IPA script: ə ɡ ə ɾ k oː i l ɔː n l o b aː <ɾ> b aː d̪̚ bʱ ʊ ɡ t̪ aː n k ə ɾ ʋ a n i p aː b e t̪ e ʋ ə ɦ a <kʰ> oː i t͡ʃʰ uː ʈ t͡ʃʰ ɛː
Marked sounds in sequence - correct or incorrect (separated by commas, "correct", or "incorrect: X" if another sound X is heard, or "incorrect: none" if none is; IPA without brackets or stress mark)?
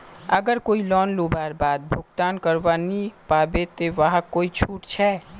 correct, incorrect: k